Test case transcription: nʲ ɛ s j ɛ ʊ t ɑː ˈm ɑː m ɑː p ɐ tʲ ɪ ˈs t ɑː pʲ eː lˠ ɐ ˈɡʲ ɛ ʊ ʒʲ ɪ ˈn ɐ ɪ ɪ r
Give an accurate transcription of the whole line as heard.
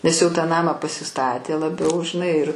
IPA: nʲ ɛ s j ɛ ʊ t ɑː ˈn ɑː m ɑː p ɐ sʲ ɪ ˈs t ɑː tʲ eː lˠ ɐ ˈbʲ ɛ ʊ ʒʲ ɪ ˈn ɐ ɪ ɪ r